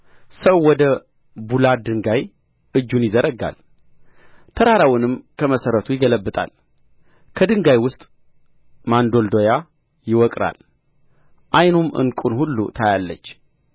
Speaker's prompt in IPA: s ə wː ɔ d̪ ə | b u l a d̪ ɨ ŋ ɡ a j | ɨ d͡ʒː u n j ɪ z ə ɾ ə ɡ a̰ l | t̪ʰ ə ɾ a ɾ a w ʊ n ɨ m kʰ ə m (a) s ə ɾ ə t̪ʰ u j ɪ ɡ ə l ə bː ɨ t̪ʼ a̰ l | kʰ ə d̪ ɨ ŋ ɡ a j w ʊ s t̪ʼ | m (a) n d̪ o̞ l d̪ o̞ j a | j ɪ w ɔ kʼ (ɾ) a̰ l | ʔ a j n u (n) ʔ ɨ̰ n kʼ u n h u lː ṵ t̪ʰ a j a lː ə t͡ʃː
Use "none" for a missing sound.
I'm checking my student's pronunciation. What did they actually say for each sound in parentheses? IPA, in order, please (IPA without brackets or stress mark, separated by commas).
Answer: ə, a, ɾ, m